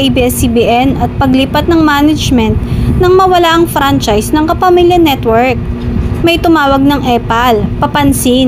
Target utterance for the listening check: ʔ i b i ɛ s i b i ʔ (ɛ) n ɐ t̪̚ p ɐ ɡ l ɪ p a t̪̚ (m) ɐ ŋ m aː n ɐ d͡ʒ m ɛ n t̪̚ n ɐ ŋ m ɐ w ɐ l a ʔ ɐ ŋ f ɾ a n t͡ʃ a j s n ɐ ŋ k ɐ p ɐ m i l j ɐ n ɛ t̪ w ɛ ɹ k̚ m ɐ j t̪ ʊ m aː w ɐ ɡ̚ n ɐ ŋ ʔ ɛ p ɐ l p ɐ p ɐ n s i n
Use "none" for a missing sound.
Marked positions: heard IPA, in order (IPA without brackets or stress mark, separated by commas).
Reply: ɛ, n